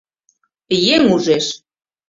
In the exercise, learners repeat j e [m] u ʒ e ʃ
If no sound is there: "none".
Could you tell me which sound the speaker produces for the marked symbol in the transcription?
ŋ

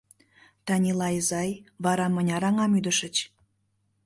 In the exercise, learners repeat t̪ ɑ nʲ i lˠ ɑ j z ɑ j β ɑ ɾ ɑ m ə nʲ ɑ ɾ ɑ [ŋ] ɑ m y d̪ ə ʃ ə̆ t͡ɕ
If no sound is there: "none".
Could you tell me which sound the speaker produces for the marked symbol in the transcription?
ŋ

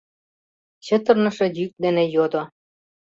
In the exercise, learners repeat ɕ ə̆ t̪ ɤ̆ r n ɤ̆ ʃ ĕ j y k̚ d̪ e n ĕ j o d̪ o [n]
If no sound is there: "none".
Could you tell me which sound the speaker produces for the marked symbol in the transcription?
none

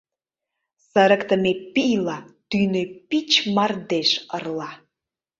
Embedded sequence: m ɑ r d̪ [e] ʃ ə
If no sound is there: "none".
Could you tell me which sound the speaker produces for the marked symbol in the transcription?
e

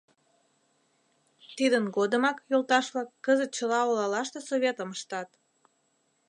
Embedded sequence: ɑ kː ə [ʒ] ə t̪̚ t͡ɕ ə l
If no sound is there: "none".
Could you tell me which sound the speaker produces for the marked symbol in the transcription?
z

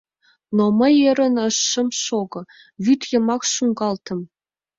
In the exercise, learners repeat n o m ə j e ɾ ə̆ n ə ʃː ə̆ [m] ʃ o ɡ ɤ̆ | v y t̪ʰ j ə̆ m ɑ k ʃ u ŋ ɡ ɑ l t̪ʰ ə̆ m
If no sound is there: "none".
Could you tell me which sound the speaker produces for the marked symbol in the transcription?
m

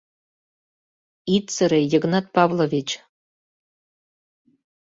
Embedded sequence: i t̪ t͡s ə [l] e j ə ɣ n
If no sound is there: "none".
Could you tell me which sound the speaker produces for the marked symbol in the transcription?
ɾ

